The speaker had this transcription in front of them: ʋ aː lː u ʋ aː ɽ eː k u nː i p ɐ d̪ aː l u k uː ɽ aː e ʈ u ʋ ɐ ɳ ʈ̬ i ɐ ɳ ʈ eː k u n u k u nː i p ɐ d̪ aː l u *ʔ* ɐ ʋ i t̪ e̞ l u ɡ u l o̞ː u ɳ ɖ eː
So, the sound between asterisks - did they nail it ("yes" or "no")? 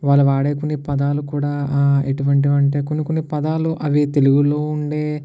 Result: yes